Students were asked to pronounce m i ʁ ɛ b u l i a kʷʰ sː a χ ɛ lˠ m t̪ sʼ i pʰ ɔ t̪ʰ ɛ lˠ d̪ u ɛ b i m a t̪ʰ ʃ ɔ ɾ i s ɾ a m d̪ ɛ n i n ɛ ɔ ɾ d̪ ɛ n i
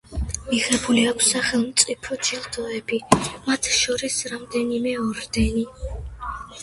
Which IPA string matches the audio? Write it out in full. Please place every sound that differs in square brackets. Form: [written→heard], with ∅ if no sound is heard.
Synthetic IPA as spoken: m i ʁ ɛ b u l i a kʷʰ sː a χ ɛ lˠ m t̪ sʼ i pʰ ɔ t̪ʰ [ɛ→i] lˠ d̪ [u→ɔ] ɛ b i m a t̪ʰ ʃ ɔ ɾ i s ɾ a m d̪ ɛ n i [n→m] ɛ ɔ ɾ d̪ ɛ n i